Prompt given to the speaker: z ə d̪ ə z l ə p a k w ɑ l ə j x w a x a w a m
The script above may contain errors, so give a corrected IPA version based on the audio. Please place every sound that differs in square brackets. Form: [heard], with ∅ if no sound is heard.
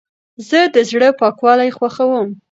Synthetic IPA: z ə d̪ ə z [ɽ] ə p [ɑ] k w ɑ l [a] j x w a x a w [ə] m